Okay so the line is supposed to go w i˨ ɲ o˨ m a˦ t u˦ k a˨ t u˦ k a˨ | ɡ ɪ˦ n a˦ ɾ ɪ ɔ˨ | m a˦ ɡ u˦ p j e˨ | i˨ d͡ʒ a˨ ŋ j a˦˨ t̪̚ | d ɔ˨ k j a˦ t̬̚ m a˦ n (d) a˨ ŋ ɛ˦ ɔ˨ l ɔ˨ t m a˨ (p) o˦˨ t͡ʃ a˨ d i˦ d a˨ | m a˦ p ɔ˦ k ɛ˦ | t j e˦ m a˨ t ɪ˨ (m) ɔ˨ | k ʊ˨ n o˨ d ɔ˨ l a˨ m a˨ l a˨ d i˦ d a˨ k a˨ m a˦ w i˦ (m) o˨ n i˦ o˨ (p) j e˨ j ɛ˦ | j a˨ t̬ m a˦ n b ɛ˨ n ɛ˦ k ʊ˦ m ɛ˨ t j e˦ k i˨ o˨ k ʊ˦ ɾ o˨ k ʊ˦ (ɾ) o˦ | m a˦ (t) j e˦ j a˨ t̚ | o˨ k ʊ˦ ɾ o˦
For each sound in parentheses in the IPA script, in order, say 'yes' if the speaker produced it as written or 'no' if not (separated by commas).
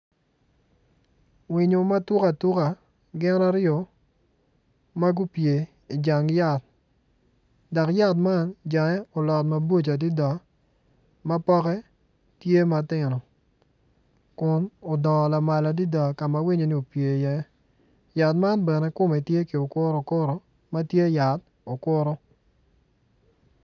no, no, no, no, yes, yes, yes